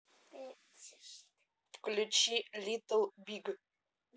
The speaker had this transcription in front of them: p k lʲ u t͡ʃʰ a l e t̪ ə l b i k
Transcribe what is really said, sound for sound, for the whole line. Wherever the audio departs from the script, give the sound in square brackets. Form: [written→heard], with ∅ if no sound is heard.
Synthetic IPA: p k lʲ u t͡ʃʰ [a→i] l [e→i] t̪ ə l b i [k→ɡ]